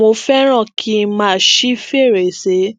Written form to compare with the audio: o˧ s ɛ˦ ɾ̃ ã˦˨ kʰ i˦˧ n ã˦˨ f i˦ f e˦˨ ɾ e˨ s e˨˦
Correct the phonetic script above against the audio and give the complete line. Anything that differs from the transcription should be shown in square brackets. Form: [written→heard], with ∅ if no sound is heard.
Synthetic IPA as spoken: o˧ [s→f] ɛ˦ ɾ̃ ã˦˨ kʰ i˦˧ [n→m] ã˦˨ [f→ʃ] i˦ f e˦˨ ɾ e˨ s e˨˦